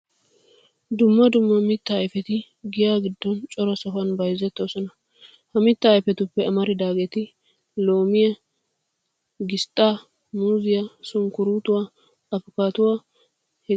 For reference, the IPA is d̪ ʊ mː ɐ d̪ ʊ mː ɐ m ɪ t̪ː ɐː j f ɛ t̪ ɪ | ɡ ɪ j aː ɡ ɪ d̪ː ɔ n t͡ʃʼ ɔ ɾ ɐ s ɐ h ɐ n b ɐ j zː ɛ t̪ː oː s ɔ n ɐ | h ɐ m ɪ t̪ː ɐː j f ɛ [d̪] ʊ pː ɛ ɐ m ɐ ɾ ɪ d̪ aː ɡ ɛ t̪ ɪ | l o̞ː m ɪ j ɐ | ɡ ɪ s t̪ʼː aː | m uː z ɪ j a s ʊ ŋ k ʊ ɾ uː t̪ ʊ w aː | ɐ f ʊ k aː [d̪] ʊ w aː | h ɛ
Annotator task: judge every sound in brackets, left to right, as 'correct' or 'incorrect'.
incorrect, incorrect

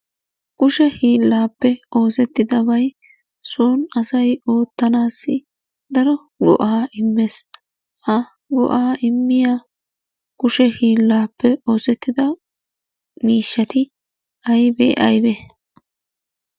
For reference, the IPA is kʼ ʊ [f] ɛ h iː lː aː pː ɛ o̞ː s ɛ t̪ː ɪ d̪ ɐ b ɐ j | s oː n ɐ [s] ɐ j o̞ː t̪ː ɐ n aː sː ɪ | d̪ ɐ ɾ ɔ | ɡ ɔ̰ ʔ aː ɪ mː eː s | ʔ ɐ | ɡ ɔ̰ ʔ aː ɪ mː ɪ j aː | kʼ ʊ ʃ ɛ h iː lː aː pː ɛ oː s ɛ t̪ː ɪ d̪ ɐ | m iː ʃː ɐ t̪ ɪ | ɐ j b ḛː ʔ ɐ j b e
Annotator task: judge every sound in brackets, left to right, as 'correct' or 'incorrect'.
incorrect, correct

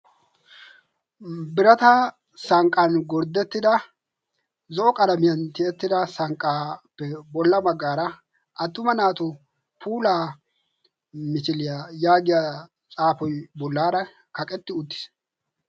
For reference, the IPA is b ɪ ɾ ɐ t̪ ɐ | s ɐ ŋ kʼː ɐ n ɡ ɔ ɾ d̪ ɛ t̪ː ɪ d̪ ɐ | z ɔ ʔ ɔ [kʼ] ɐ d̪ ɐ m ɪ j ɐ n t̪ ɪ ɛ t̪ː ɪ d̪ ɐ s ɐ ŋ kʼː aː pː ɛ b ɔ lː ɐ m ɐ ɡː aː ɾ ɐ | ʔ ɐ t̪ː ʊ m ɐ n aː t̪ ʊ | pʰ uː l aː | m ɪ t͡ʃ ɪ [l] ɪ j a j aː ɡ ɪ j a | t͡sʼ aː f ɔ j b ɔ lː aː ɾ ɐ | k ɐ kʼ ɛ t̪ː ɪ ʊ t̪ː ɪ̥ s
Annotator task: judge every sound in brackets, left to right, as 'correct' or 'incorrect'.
correct, correct

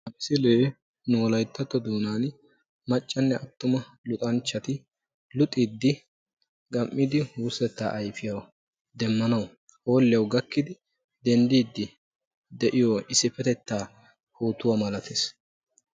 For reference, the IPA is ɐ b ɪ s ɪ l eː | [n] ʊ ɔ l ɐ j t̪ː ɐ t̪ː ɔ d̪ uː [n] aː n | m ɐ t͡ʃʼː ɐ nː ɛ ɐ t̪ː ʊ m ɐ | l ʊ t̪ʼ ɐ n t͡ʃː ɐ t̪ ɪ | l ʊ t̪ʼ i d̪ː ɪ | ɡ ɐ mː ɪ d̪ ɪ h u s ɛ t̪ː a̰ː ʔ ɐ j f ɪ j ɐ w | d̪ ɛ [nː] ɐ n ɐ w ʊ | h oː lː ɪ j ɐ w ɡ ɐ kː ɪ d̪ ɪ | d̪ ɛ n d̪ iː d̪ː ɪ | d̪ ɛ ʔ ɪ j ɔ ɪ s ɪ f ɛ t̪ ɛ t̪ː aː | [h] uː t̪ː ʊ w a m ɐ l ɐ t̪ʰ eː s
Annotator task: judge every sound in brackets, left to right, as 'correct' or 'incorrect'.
correct, correct, incorrect, correct

